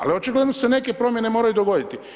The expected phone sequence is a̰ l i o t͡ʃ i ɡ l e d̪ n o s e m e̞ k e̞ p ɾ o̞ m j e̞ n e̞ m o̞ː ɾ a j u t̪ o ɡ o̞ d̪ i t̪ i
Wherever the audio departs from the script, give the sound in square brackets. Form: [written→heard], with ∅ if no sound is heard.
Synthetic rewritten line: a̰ l i o t͡ʃ i ɡ l e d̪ n o s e [m→n] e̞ k e̞ p ɾ o̞ m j e̞ n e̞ m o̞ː ɾ a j u [t̪→d̪] o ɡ o̞ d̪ i t̪ i